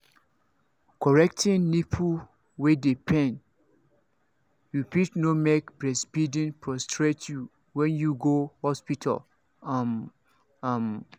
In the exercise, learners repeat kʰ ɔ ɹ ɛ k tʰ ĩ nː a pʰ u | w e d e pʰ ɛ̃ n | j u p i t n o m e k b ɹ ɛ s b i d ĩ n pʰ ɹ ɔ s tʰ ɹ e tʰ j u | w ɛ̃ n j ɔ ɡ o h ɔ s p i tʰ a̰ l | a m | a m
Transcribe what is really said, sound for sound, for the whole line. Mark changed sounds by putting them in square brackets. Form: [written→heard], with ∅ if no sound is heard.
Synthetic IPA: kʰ ɔ ɹ ɛ k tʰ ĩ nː [a→i] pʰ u | w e d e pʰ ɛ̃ n | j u p i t n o m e k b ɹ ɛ s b i d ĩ n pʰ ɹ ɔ s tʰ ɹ e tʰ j u | w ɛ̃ n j [ɔ→u] ɡ o h ɔ s p i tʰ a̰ l | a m | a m